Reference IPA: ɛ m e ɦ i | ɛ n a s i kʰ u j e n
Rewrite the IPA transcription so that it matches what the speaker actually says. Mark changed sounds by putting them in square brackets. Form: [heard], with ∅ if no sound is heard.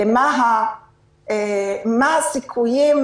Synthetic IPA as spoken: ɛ m [a] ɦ [a] | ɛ [m] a s i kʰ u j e [m]